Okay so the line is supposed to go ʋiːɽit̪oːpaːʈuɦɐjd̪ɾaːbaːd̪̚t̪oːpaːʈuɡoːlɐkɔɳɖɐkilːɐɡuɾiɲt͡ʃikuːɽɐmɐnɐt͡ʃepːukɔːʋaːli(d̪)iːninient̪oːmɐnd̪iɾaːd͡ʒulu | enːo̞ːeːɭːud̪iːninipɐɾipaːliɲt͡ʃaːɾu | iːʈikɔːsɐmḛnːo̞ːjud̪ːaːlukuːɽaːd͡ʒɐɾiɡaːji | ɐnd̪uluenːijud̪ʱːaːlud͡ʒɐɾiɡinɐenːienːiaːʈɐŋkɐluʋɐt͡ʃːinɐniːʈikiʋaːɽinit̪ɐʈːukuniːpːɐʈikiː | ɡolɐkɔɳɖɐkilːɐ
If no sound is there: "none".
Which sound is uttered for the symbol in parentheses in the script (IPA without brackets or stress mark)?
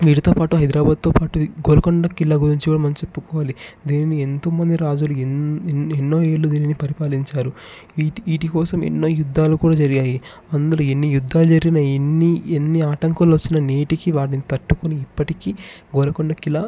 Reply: d̪